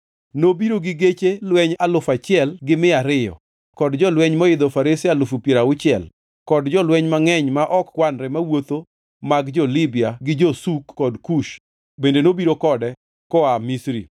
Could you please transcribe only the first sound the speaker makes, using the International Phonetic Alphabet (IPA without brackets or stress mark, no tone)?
n